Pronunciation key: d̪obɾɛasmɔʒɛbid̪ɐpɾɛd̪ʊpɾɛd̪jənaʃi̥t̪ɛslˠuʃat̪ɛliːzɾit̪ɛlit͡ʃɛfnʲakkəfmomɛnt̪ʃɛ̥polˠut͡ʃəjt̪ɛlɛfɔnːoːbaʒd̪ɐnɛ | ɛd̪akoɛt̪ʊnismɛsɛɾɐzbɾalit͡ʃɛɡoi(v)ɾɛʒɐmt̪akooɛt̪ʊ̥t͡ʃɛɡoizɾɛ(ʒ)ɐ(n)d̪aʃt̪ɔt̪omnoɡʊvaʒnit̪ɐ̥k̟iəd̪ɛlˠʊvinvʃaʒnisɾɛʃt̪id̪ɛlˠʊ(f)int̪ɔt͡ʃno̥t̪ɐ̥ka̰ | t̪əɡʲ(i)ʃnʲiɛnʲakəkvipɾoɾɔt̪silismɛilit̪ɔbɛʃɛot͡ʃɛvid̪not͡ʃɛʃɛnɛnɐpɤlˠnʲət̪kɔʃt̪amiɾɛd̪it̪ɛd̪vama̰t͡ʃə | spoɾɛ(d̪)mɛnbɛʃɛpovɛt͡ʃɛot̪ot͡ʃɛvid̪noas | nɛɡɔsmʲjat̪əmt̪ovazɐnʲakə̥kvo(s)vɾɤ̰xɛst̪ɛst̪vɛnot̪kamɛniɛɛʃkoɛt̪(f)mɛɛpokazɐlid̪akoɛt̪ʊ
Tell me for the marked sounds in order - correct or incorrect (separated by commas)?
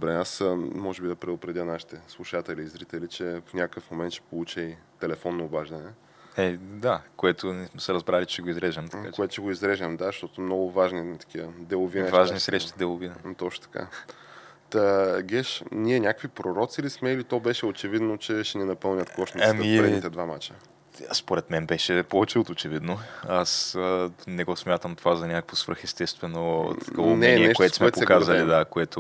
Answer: incorrect, correct, incorrect, incorrect, incorrect, incorrect, correct, incorrect